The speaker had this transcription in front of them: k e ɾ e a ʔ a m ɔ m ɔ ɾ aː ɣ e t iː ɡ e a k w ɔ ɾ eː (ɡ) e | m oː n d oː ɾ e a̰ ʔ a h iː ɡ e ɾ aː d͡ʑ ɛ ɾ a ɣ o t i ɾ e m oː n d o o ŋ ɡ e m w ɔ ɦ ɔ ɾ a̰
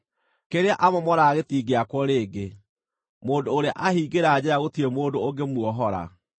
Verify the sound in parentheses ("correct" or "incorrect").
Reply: correct